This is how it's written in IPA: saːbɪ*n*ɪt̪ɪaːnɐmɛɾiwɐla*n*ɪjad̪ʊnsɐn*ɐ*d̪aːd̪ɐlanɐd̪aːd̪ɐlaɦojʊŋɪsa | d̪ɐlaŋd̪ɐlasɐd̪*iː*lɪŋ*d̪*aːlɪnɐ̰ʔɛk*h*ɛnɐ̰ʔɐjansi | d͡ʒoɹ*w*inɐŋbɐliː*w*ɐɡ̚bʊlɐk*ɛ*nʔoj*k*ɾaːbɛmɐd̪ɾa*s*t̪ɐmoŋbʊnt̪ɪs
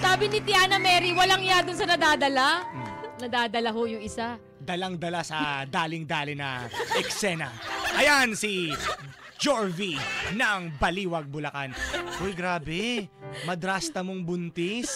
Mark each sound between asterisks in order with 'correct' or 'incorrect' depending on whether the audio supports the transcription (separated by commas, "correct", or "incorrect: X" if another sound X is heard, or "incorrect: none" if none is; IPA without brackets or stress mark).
correct, incorrect: ŋ, correct, incorrect: aː, correct, incorrect: s, incorrect: v, correct, incorrect: a, incorrect: ɡ, correct